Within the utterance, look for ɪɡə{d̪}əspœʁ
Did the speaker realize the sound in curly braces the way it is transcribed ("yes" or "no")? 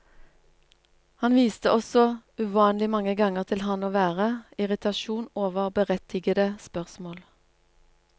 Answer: yes